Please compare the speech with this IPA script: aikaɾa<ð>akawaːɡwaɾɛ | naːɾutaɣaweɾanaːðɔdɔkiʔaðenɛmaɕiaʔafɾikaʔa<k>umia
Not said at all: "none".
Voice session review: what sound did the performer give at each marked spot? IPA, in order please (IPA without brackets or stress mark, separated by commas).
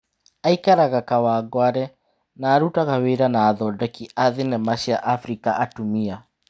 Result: ɣ, t